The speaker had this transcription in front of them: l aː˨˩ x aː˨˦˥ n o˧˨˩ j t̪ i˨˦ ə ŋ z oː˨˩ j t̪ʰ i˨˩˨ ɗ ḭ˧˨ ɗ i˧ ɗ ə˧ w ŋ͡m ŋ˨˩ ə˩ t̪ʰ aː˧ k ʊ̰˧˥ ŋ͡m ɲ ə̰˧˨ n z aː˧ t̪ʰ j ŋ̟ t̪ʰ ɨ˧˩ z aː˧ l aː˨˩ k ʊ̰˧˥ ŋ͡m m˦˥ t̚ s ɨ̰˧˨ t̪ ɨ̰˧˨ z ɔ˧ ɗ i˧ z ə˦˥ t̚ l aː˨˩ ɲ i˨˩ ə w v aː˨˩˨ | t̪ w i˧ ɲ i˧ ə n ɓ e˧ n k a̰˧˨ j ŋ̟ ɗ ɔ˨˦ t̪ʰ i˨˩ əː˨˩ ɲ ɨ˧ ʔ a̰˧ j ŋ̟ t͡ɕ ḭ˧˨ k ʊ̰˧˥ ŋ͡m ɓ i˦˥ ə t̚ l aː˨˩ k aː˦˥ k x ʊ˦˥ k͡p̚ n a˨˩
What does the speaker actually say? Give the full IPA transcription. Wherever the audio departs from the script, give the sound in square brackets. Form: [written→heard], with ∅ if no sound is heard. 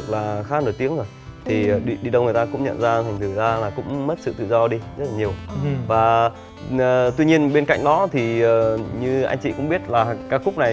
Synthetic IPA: l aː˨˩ x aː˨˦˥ n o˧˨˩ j t̪ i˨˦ ə ŋ z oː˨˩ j t̪ʰ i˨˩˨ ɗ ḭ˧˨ ɗ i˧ ɗ ə˧ w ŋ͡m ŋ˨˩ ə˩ [t̪ʰ→t̪] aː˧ k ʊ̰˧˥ ŋ͡m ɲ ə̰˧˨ n z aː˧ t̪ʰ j ŋ̟ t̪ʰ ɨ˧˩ z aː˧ l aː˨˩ k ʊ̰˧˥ ŋ͡m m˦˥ t̚ s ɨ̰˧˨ t̪ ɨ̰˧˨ z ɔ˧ ɗ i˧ z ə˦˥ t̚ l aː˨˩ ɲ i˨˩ ə w v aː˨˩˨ | t̪ w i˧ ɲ i˧ ə n ɓ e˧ n k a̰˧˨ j ŋ̟ ɗ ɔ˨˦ t̪ʰ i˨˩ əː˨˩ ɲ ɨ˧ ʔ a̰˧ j ŋ̟ t͡ɕ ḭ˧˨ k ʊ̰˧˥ ŋ͡m ɓ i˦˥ ə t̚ l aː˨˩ k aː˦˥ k x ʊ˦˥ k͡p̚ n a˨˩